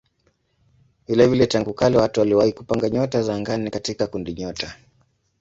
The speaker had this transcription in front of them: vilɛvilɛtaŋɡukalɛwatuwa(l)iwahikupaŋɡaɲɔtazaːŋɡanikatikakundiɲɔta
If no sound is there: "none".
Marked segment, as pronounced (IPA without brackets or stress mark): l